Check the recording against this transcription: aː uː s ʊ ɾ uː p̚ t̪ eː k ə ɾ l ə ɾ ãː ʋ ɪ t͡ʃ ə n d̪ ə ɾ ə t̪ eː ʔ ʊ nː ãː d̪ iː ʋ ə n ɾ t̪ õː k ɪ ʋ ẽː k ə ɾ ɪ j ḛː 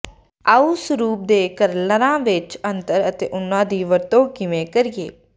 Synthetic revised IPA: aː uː s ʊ ɾ uː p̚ d̪ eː k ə ɾ l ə ɾ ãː ʋ ɪ t͡ʃ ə n t̪ ə ɾ ə t̪ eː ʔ ʊ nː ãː d̪ iː ʋ ə ɾ t̪ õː k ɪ ʋ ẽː k ə ɾ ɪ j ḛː